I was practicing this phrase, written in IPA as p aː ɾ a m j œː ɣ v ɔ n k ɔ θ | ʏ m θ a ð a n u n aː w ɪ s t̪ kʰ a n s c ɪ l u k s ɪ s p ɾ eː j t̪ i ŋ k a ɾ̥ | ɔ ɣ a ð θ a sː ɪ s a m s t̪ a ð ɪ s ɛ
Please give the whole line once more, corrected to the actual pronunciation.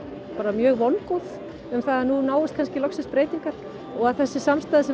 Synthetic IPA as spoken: p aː ɾ a m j œː ɣ v ɔ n k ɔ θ | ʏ m θ a ð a n u n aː w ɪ s t̪ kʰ a n s c ɪ l ɔ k s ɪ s p ɾ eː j t̪ i ŋ k a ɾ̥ | ɔ ɣ a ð θ ɛ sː ɪ s a m s t̪ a ð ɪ s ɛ

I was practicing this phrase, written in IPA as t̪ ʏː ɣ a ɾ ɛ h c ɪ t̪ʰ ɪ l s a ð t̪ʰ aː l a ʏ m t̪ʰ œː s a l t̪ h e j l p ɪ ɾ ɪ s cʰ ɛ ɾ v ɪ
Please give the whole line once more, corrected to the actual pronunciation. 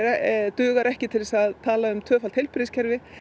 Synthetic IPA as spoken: t̪ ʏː ɣ a ɾ ɛ h c ɪ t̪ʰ ɪ l s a ð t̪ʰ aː l a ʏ m t̪ʰ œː f a l t̪ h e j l p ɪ ɾ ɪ s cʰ ɛ ɾ v ɪ

